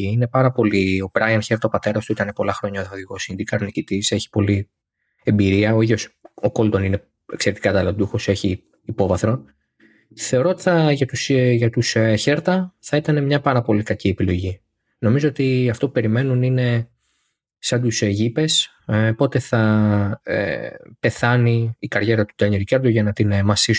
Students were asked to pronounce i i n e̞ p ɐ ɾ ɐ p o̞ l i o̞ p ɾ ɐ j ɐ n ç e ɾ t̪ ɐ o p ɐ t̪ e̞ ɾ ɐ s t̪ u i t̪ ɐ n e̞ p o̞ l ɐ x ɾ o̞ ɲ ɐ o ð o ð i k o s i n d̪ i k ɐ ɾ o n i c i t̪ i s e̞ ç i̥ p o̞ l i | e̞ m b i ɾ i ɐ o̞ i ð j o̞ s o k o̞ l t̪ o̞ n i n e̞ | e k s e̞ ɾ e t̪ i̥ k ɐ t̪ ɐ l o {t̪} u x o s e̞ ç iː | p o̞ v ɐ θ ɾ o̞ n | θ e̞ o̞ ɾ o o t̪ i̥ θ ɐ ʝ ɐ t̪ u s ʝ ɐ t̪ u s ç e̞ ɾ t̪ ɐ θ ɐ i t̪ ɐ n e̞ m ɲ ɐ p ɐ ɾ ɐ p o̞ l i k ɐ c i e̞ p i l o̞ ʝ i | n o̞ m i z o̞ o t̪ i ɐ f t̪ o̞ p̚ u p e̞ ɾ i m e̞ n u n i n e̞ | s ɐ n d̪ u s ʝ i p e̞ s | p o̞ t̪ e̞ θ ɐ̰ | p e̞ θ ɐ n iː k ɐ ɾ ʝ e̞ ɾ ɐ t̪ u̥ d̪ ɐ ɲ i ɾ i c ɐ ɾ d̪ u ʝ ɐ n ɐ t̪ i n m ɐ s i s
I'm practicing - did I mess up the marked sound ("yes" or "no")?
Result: yes